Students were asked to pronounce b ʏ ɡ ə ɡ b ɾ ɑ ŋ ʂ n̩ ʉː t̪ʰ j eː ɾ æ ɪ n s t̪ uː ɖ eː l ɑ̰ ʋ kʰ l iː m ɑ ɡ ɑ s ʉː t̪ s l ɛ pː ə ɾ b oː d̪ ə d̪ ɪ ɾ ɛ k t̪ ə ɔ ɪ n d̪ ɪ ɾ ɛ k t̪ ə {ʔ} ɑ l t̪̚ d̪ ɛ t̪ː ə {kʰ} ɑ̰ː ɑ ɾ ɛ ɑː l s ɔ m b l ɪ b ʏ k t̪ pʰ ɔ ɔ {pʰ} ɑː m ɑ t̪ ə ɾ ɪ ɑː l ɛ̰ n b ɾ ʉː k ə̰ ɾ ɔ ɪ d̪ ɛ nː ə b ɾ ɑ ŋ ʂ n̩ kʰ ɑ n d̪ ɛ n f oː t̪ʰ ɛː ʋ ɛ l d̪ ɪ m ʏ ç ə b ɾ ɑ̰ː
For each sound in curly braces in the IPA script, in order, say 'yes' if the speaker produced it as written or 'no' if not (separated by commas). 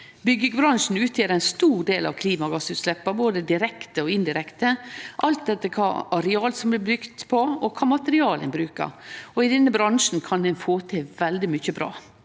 yes, yes, no